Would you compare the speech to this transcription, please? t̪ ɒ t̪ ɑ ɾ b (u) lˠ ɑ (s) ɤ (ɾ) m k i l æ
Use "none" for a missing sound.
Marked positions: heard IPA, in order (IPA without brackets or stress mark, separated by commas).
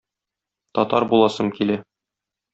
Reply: u, s, none